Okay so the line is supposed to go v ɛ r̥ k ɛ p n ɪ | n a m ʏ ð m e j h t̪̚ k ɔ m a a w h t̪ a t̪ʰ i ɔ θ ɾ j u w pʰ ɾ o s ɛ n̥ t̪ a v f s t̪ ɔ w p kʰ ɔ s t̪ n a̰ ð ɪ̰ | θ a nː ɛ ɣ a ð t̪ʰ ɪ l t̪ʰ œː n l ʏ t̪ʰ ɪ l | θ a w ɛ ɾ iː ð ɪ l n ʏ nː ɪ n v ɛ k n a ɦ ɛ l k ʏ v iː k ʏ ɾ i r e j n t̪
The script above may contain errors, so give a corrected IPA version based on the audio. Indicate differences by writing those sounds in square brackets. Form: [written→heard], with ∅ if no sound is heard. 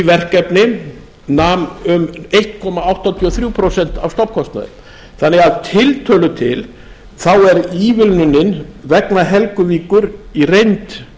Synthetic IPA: v ɛ r̥ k ɛ p n ɪ | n a m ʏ [ð→∅] m e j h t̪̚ [k→kʰ] ɔ m a a w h t̪ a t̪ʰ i ɔ θ ɾ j u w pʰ ɾ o s ɛ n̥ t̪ a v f s t̪ ɔ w p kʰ ɔ s t̪ n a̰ ð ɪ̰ | θ a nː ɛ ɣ a ð t̪ʰ ɪ l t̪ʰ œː [n→∅] l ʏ t̪ʰ ɪ l | θ a w ɛ ɾ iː [ð→v] ɪ l n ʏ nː ɪ n v ɛ k n a ɦ ɛ l k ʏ v iː k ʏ ɾ i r e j n t̪